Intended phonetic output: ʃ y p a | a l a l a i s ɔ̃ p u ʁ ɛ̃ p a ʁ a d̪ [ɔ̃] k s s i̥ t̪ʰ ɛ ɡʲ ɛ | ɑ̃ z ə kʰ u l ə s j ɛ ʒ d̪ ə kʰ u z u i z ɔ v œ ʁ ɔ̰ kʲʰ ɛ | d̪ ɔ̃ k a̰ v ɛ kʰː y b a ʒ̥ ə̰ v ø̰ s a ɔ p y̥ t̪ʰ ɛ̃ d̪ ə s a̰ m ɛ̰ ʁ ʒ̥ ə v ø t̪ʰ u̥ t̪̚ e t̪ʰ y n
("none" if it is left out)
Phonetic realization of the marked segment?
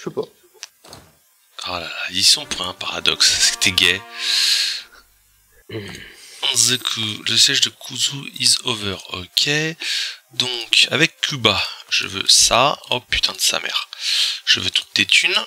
ɔ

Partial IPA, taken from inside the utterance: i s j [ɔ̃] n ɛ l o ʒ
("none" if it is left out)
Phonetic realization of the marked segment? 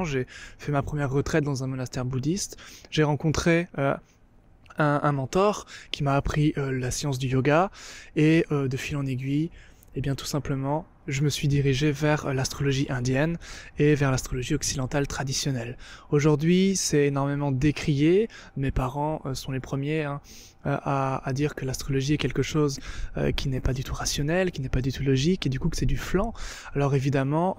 ɔ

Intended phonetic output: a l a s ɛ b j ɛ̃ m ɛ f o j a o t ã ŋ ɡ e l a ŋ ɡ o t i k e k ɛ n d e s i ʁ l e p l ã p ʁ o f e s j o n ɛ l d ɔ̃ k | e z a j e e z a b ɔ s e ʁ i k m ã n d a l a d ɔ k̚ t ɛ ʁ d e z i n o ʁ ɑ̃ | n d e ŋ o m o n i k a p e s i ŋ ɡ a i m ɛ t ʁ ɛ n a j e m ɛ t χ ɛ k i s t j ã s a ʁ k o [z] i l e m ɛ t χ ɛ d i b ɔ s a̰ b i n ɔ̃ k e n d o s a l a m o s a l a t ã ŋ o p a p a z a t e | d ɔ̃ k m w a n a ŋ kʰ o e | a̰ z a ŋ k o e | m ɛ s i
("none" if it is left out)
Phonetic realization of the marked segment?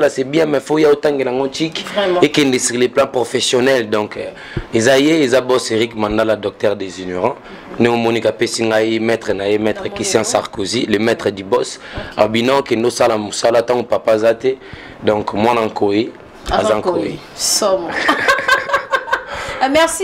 z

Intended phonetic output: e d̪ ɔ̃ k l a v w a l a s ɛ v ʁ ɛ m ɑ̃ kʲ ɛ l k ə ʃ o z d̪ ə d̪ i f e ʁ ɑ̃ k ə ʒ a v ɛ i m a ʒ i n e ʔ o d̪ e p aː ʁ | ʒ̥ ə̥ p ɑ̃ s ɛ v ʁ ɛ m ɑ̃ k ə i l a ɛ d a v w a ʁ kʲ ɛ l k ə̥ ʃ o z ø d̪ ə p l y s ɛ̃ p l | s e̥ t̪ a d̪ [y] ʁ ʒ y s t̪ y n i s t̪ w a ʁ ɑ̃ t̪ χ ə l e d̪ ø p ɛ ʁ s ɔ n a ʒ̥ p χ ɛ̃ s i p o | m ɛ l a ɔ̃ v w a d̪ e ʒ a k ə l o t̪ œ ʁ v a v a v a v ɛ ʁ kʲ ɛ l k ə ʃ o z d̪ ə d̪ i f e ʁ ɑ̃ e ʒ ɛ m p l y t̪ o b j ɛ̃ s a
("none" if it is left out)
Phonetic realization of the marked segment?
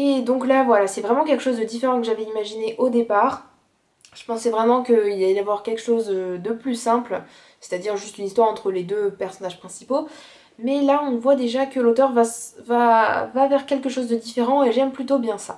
i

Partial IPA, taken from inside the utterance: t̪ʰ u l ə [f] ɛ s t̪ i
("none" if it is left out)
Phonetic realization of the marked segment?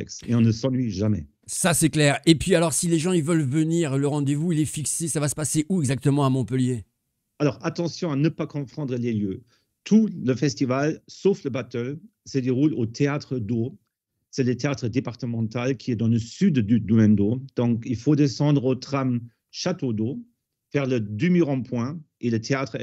f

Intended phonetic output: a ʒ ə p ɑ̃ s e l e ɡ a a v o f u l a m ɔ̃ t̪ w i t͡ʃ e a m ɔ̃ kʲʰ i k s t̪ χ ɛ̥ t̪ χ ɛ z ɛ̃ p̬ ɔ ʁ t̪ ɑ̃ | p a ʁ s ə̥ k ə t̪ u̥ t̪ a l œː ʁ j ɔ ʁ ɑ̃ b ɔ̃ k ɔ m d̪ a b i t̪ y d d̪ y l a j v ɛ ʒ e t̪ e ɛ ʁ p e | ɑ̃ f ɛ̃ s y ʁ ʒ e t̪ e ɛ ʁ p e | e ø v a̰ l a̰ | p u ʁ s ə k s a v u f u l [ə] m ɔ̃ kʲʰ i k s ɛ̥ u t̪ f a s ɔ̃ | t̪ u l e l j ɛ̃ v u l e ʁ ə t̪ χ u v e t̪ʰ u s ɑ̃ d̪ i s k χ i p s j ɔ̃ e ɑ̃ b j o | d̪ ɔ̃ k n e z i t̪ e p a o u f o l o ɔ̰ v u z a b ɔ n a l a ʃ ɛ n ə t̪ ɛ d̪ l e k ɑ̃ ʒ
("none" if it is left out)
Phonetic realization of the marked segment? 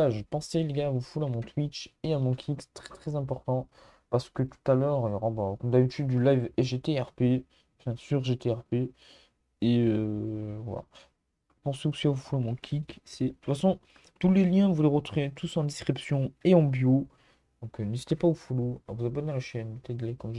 a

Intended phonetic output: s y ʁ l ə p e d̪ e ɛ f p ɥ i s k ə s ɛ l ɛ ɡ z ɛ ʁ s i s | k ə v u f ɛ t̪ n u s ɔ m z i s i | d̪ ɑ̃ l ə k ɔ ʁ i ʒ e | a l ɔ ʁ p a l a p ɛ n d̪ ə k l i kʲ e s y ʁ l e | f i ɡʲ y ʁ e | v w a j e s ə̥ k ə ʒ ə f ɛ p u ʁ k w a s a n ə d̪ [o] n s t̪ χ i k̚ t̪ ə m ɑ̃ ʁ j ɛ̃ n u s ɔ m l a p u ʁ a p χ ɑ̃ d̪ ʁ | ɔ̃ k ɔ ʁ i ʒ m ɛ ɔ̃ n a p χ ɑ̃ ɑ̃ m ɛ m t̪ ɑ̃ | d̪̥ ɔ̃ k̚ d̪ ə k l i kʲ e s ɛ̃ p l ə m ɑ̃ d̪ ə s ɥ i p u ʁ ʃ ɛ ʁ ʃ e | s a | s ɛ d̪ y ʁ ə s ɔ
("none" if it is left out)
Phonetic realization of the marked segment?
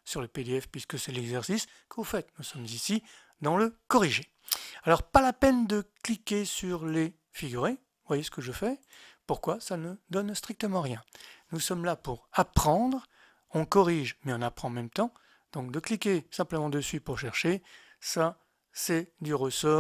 ɔ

